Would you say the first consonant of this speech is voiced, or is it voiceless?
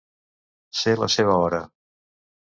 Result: voiceless